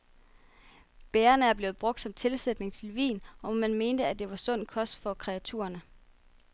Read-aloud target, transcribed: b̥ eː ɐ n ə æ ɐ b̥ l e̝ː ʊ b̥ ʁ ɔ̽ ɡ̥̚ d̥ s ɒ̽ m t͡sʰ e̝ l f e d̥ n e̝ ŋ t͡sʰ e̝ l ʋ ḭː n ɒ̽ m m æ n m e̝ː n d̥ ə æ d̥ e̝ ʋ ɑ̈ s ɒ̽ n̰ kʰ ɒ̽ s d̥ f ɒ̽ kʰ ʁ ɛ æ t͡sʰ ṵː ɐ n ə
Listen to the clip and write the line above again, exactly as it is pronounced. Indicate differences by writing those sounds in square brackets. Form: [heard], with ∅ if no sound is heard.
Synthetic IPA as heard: b̥ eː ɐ n ə æ ɐ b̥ l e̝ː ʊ b̥ ʁ ɔ̽ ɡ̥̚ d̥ s ɒ̽ m t͡sʰ e̝ l [s] e d̥ n e̝ ŋ t͡sʰ e̝ l ʋ ḭː n ɒ̽ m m æ n m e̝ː n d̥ ə æ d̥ e̝ ʋ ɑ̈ s [ɔ̽] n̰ kʰ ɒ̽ s d̥ f ɒ̽ kʰ ʁ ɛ æ t͡sʰ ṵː ɐ n ə

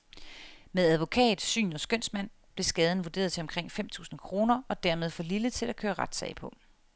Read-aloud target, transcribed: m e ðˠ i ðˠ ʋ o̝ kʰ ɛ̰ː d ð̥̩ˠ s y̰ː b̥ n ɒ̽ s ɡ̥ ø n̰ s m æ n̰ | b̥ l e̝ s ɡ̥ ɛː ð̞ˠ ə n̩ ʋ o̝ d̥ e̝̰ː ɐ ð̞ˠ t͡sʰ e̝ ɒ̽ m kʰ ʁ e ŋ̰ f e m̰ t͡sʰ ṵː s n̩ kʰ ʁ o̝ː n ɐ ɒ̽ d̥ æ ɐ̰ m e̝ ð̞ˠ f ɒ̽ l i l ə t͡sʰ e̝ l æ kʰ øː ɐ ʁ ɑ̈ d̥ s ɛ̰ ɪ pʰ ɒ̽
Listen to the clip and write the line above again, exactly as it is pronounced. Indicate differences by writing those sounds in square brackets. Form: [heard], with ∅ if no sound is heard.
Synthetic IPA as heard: m e ðˠ [æ] ðˠ ʋ o̝ kʰ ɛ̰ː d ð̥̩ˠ s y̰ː [∅] n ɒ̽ s ɡ̥ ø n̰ s m æ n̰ | b̥ l e̝ s ɡ̥ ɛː ð̞ˠ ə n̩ ʋ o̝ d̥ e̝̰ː ɐ ð̞ˠ t͡sʰ e̝ ɒ̽ m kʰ ʁ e ŋ̰ f e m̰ t͡sʰ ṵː s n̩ kʰ ʁ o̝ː n ɐ ɒ̽ d̥ æ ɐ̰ m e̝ ð̞ˠ f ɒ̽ l i l ə t͡sʰ e̝ l æ kʰ øː ɐ ʁ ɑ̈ d̥ s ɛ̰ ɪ pʰ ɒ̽

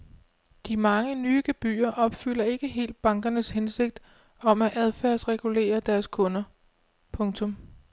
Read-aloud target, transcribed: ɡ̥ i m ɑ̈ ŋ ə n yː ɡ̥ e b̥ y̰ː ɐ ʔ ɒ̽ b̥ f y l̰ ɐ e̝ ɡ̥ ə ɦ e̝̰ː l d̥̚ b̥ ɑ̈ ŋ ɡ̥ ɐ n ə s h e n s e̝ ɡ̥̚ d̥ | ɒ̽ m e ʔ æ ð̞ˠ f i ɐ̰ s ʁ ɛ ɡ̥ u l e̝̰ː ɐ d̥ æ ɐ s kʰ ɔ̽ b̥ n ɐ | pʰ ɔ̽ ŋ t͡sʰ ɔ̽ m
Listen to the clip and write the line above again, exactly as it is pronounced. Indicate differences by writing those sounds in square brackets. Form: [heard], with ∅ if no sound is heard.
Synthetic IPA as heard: [d̥] i m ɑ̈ ŋ ə n yː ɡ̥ e b̥ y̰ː ɐ ʔ ɒ̽ b̥ f y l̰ ɐ e̝ ɡ̥ ə ɦ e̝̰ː l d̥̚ b̥ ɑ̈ ŋ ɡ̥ ɐ n ə s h e n s e̝ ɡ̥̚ d̥ | ɒ̽ m [æ] ʔ æ ð̞ˠ f [æ] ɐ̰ s ʁ ɛ ɡ̥ u l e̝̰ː ɐ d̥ æ ɐ s kʰ ɔ̽ [∅] n ɐ | pʰ ɔ̽ ŋ t͡sʰ ɔ̽ m

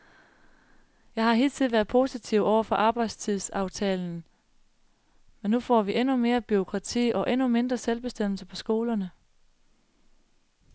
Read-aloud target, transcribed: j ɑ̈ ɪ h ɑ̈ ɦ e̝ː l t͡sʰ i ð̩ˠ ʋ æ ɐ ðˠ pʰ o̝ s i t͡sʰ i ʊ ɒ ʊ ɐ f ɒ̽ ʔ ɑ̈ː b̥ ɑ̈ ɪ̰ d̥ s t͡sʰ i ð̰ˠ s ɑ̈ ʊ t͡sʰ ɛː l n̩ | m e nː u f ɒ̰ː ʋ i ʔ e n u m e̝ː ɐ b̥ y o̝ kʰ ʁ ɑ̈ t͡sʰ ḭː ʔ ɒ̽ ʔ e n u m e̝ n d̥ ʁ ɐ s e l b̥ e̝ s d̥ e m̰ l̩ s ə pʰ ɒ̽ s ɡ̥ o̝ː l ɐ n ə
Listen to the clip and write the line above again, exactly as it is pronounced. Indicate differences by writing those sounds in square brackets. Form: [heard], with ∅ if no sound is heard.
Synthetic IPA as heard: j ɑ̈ ɪ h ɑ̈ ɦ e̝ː l t͡sʰ i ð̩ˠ ʋ æ ɐ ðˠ pʰ o̝ s i t͡sʰ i ʊ ɒ ʊ ɐ f ɒ̽ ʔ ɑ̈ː b̥ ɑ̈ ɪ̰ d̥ s t͡sʰ i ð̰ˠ s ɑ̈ ʊ t͡sʰ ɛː l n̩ | m e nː u f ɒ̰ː ʋ i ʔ e n u m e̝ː ɐ b̥ y o̝ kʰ ʁ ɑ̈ t͡sʰ ḭː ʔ ɒ̽ ʔ e n u m e̝ n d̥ ʁ ɐ s e l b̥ e̝ s d̥ e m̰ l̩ s ə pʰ ɒ̽ s ɡ̥ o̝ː l ɐ n ə

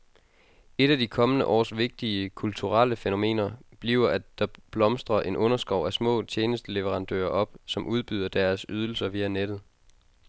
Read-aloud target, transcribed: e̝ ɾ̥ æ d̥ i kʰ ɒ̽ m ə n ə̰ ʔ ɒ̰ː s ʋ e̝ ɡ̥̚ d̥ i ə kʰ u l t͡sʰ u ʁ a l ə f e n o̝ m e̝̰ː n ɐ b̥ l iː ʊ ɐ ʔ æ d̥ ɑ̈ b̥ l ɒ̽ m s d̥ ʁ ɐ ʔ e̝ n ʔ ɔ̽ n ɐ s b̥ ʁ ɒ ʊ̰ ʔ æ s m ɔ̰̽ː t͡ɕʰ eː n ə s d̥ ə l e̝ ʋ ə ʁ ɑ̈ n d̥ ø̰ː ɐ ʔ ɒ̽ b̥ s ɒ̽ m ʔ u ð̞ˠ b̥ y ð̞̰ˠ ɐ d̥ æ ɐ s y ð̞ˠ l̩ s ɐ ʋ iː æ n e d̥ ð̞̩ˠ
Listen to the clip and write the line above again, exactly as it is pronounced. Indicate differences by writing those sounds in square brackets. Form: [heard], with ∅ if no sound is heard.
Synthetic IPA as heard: e̝ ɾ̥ æ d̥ i kʰ ɒ̽ m ə n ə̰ ʔ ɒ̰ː s ʋ e̝ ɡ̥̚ d̥ i ə kʰ u l t͡sʰ u ʁ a l ə f e n o̝ m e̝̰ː n ɐ b̥ l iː ʊ ɐ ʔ æ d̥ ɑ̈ b̥ l ɒ̽ m s d̥ ʁ ɐ ʔ e̝ n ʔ ɔ̽ n ɐ s [ɡ̥] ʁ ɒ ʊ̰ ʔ æ s m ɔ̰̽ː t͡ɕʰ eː n ə s d̥ ə l e̝ ʋ ə ʁ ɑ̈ n d̥ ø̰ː ɐ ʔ ɒ̽ b̥ s ɒ̽ m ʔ u ð̞ˠ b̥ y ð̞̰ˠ ɐ d̥ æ ɐ s y ð̞ˠ l̩ s ɐ ʋ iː æ n e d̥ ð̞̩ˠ

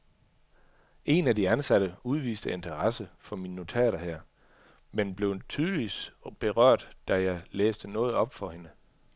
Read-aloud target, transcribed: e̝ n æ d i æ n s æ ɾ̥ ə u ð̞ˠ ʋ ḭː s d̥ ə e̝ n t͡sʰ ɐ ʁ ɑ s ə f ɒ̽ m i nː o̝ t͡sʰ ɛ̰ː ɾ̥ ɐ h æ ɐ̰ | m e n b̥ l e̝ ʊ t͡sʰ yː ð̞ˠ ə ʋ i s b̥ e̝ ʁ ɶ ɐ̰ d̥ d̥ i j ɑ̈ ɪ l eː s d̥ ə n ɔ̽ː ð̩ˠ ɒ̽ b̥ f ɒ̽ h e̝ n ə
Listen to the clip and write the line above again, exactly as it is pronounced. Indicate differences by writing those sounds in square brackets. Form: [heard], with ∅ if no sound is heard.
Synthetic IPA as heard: e̝ n æ d i æ n s æ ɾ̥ ə u ð̞ˠ ʋ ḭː s d̥ ə e̝ n t͡sʰ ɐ ʁ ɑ s ə f ɒ̽ m i nː o̝ t͡sʰ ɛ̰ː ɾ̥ ɐ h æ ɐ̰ | m e n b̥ l e̝ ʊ t͡sʰ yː ð̞ˠ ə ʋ i s b̥ e̝ ʁ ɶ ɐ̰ d̥ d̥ [æ] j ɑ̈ ɪ l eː s d̥ ə n ɔ̽ː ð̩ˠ ɒ̽ b̥ f ɒ̽ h e̝ n ə

